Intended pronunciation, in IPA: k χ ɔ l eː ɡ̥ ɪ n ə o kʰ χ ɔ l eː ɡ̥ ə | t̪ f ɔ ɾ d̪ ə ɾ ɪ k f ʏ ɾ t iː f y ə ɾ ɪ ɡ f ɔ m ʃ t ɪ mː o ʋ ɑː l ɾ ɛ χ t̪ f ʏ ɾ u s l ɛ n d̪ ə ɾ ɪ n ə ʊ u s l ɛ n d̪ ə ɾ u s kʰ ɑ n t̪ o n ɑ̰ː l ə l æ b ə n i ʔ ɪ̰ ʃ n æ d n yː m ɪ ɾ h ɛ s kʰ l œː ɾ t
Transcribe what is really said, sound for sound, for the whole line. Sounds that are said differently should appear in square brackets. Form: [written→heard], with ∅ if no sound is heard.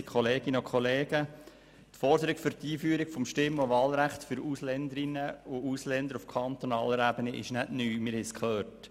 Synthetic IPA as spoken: k χ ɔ l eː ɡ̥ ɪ n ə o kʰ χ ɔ l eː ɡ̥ ə | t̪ f ɔ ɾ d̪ ə ɾ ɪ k f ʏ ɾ t iː f y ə ɾ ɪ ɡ f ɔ m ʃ t ɪ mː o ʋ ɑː l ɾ [ɛ→æ] χ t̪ f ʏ ɾ u s l ɛ n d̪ ə ɾ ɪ n ə ʊ u s l ɛ n d̪ ə ɾ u [s→f] kʰ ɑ n t̪ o n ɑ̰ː l ə [l→ɾ] æ b ə n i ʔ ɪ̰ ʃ n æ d n yː m ɪ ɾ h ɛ s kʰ l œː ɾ t

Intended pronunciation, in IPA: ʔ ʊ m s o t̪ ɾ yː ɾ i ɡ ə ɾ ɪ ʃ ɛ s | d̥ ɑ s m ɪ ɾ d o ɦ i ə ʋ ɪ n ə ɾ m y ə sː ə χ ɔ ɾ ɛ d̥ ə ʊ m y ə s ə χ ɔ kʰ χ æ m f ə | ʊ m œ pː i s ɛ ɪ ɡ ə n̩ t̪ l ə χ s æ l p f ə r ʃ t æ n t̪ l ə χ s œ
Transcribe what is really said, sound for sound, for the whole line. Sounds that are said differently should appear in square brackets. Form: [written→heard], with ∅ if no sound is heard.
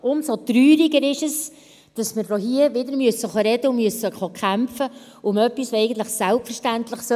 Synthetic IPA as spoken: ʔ ʊ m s o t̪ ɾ yː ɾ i ɡ ə ɾ ɪ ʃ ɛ s | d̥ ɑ s m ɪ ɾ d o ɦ i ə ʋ ɪ [n→d] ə ɾ m y ə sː ə χ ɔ ɾ ɛ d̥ ə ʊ m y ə s ə χ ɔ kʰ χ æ m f ə | ʊ m œ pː i s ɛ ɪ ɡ ə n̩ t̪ l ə χ s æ l p f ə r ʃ t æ n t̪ l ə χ s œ

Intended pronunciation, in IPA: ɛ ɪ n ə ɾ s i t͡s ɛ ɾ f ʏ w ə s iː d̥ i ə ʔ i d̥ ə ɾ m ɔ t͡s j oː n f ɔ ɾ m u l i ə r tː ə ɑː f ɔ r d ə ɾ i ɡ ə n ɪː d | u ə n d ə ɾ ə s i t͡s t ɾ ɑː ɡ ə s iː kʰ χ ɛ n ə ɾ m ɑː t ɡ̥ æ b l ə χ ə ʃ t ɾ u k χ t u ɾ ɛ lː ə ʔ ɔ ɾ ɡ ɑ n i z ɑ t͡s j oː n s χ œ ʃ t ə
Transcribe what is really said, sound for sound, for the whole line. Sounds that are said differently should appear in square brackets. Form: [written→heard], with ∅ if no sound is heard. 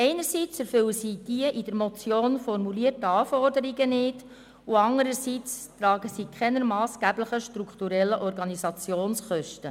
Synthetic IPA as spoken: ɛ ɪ n ə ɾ s i t͡s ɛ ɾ f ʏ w ə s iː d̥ i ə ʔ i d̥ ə ɾ m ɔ t͡s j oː n f ɔ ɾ m u l i ə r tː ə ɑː f ɔ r d ə ɾ i ɡ ə n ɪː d | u [ə→ɑ] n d ə ɾ ə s i t͡s t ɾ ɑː ɡ ə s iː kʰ χ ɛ n ə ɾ m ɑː [t→s] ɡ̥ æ b l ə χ ə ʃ t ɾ u k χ t u ɾ ɛ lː ə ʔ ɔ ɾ ɡ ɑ n i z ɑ t͡s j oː n s χ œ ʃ t ə

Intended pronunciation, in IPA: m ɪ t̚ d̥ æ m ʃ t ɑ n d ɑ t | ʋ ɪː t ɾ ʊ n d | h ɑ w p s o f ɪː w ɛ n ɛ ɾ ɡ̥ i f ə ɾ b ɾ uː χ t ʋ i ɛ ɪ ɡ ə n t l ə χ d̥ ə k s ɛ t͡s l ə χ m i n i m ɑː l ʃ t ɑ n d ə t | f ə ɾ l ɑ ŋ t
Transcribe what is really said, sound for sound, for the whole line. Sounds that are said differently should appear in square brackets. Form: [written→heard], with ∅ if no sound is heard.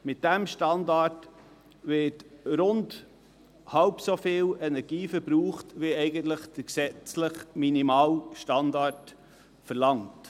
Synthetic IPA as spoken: m ɪ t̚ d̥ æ m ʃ t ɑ n d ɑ t | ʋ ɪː t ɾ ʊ n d | h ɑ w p s o f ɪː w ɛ n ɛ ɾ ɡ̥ [i→iː] f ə ɾ b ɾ uː χ t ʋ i ɛ ɪ ɡ ə n t l ə χ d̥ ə k s ɛ t͡s l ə χ m i n i m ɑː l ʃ t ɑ n d [ə→ɑ] t | f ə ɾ l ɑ ŋ t

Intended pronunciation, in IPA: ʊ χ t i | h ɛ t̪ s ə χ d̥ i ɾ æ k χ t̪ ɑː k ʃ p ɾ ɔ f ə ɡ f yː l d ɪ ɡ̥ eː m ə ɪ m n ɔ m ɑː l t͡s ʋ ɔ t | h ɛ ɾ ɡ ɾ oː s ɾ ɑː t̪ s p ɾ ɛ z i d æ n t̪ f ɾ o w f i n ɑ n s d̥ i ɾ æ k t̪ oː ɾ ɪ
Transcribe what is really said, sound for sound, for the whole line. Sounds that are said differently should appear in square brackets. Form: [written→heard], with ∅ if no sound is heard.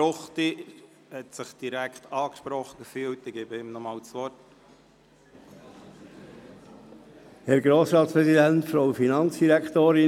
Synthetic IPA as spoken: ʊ χ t i | h ɛ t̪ s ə χ d̥ i ɾ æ k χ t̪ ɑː k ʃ p ɾ ɔ [f→χ] ə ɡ f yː l [d→t] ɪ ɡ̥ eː [m→b] ə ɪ m n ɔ m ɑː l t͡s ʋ ɔ t | h ɛ ɾ ɡ ɾ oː s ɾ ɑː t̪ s p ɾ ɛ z i d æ n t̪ f ɾ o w f i n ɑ n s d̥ i ɾ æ k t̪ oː ɾ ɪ

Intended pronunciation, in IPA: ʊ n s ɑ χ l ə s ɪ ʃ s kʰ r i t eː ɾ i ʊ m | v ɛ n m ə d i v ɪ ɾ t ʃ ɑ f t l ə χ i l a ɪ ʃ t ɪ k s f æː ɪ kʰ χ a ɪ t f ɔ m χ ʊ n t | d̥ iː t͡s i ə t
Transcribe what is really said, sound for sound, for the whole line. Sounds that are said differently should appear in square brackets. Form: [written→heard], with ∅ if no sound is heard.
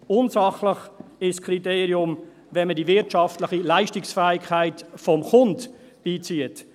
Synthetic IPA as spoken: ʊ n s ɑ χ l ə [s→χ] ɪ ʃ s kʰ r i t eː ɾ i ʊ m | v ɛ n m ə d i v ɪ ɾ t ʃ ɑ f t l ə χ i l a ɪ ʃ t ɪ k s f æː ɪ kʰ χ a ɪ t f ɔ m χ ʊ n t | [d̥→b̥] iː t͡s i ə t

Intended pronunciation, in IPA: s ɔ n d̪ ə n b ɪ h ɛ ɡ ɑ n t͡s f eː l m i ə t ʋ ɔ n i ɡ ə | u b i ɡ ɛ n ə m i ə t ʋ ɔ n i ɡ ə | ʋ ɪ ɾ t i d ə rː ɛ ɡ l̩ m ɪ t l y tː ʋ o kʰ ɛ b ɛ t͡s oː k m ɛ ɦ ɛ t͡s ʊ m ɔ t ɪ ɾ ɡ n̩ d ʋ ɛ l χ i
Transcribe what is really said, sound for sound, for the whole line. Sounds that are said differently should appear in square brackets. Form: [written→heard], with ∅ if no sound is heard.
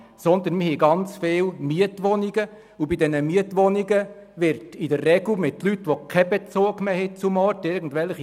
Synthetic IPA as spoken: s ɔ n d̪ ə n [b→m] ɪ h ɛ ɡ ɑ n t͡s f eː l m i ə t ʋ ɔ n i ɡ ə | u b i [ɡ→d] ɛ n ə m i ə t ʋ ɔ n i ɡ ə | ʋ ɪ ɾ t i d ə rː ɛ ɡ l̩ m ɪ t l y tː ʋ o kʰ ɛ b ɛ t͡s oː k m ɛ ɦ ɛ t͡s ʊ m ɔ t ɪ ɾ ɡ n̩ d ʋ ɛ l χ i

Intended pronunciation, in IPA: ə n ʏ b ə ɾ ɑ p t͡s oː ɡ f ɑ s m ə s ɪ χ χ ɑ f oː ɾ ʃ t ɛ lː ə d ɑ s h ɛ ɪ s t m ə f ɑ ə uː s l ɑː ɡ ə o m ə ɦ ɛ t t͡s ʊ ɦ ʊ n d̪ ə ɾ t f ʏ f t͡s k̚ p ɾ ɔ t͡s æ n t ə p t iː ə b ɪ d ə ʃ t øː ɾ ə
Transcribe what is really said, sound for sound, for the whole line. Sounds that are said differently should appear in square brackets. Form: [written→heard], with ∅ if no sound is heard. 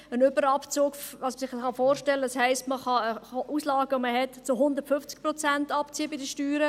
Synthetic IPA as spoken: ə n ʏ b ə ɾ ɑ p t͡s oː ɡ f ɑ s m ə s ɪ χ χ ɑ f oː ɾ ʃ t ɛ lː ə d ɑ s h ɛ ɪ s t m ə [f→χ] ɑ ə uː s l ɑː ɡ ə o m ə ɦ ɛ t t͡s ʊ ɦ ʊ n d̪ ə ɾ t f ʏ f t͡s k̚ p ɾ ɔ t͡s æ n t [ə→ɑ] p [t→t͡s] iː ə b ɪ d ə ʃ t [øː→yː] ɾ ə

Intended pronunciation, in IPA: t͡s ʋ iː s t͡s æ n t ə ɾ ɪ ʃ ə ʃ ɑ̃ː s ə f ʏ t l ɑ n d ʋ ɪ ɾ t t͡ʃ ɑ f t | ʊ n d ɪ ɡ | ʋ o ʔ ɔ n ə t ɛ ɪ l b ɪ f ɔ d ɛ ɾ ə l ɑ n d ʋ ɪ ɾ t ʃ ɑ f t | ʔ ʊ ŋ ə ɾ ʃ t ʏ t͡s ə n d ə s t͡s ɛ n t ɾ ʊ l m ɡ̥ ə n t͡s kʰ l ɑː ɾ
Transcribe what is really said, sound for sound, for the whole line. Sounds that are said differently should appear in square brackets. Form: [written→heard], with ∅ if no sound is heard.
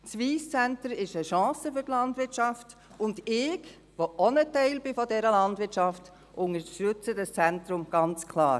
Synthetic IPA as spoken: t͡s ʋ iː s t͡s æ n t ə ɾ ɪ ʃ ə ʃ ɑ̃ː s ə f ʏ t l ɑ n d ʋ ɪ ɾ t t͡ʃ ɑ f t | ʊ n d ɪ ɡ | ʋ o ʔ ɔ n ə t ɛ ɪ l b ɪ f ɔ d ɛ ɾ ə l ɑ n d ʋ ɪ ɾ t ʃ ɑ f t | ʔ ʊ ŋ ə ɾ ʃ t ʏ t͡s ə [n→∅] d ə s t͡s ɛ n t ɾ ʊ [l→∅] m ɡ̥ [ə→ɑ] n t͡s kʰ l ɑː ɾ

